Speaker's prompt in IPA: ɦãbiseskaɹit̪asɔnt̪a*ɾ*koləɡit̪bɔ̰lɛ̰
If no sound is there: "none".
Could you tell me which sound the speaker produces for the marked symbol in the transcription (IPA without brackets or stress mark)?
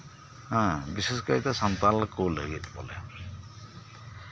l